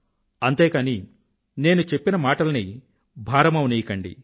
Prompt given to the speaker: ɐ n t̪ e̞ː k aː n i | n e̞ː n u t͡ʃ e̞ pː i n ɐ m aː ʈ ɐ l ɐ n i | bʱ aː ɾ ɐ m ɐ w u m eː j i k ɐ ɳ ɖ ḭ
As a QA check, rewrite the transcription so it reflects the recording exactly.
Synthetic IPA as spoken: ɐ n t̪ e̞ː k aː n i | n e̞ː n u t͡ʃ e̞ pː i n ɐ m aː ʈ ɐ l ɐ n i | bʱ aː ɾ ɐ m ɐ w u n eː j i k ɐ ɳ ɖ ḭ